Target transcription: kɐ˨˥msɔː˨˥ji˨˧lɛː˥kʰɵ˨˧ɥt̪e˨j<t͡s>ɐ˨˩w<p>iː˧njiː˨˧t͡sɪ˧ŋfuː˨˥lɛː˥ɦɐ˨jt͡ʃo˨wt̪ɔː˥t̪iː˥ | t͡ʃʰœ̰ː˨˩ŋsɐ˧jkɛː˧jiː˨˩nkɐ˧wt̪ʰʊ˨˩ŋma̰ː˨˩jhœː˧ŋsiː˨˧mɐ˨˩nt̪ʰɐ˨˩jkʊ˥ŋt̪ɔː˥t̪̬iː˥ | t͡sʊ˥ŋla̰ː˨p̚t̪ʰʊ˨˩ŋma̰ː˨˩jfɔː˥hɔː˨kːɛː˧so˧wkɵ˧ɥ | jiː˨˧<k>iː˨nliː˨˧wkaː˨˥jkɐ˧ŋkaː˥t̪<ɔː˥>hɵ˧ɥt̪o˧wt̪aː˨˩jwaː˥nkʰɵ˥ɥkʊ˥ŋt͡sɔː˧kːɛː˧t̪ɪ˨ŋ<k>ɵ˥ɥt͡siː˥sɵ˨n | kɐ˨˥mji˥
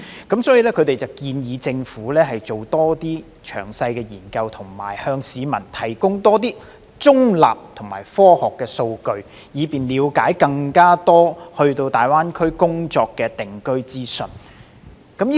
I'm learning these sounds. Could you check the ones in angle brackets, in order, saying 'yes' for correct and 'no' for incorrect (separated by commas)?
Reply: yes, no, no, yes, yes